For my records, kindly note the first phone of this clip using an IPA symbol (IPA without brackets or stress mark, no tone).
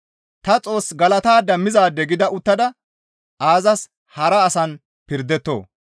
t̪